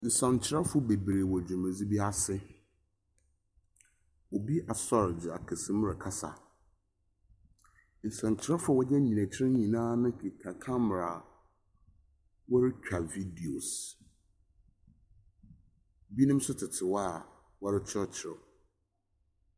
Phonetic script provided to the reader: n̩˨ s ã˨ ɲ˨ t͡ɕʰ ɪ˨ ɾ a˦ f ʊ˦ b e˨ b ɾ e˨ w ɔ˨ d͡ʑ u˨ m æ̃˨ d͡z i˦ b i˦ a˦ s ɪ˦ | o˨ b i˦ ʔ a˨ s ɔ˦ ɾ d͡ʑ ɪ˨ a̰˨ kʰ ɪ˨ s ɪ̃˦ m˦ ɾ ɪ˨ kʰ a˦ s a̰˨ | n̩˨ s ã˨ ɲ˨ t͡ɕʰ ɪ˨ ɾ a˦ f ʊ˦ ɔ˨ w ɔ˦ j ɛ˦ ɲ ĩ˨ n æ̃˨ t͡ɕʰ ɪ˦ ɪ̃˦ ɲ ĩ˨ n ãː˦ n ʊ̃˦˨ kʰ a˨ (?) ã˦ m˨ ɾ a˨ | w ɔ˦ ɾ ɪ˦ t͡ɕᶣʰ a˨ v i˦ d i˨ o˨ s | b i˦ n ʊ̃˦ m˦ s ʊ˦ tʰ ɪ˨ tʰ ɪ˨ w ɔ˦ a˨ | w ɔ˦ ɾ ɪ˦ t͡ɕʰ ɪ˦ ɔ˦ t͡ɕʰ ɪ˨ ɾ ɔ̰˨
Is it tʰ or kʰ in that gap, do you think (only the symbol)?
kʰ